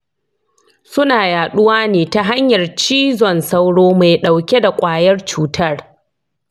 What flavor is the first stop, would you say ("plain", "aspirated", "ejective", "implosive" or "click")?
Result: implosive